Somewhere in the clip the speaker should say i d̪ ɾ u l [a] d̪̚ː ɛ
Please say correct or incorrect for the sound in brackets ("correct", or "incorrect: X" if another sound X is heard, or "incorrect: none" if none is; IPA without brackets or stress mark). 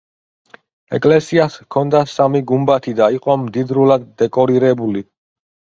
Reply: correct